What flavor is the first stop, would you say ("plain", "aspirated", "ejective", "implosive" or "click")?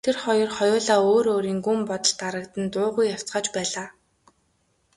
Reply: aspirated